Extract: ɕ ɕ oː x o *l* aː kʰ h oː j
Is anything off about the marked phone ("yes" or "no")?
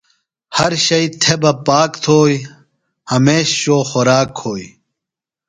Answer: yes